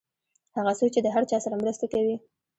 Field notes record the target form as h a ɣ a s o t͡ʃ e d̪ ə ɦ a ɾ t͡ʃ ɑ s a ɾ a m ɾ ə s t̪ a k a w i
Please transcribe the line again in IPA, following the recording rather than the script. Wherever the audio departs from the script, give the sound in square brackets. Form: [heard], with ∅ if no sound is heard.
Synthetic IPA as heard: h a ɣ a s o t͡ʃ e d̪ ə ɦ a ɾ t͡ʃ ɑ s a ɾ a m ɾ ə s t̪ a k a w i